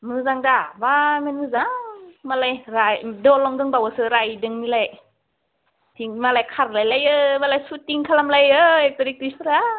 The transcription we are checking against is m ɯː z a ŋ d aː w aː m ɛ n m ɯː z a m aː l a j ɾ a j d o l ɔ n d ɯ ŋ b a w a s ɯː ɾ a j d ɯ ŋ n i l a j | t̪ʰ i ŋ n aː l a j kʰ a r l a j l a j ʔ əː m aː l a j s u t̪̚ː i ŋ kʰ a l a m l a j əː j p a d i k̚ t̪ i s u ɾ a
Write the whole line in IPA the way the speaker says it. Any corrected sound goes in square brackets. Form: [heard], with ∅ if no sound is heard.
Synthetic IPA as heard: m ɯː z a ŋ d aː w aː m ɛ n m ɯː z a m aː l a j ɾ a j d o l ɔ [ŋ] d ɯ ŋ b a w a s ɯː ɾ a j d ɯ ŋ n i l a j | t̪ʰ i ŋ [m] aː l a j kʰ a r l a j l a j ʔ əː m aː l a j s u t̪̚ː i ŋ kʰ a l a m l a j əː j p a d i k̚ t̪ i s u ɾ a